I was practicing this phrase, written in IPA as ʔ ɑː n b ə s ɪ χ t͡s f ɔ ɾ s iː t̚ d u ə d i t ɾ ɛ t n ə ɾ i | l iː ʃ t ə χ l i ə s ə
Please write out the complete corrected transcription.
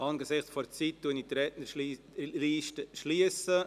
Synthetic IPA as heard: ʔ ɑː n ɡ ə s ɪ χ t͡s f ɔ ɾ t͡s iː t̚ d u ə n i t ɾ ɛ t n ə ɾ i | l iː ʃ t ə ʃ l i ə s ə